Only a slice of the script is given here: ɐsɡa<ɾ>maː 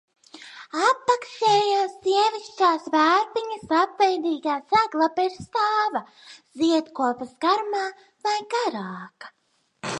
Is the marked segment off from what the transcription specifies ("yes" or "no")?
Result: no